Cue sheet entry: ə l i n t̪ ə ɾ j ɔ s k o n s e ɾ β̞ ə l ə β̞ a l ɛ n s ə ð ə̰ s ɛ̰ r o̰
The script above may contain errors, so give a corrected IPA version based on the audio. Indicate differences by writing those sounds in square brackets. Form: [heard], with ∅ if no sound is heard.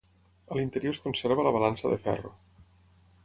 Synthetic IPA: ə l i n t̪ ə ɾ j [o] s k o n s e ɾ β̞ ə l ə β̞ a l [a] n s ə ð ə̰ [f] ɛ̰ r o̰